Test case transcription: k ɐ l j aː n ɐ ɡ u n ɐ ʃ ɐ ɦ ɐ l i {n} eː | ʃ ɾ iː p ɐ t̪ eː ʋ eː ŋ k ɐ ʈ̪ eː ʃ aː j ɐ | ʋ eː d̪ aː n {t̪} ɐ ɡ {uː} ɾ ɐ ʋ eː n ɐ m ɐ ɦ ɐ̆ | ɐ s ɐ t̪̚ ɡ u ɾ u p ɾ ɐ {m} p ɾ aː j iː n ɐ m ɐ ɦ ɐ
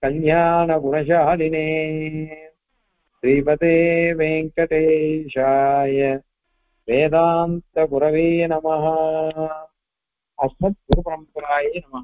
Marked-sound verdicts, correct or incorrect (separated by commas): correct, correct, incorrect, correct